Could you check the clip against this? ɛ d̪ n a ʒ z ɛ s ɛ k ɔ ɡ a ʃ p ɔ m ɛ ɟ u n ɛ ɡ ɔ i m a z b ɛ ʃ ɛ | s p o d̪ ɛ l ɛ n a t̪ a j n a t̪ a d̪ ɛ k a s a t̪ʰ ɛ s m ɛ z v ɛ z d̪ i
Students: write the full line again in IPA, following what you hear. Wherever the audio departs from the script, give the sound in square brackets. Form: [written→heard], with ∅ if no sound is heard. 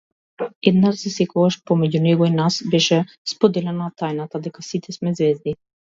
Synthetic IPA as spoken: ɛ d̪ n a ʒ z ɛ s ɛ k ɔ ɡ a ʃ p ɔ m ɛ ɟ u n ɛ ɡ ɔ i [m→n] a [z→s] b ɛ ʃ ɛ | s p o d̪ ɛ l ɛ n a t̪ a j n a t̪ a d̪ ɛ k a s [a→i] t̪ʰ ɛ s m ɛ z v ɛ z d̪ i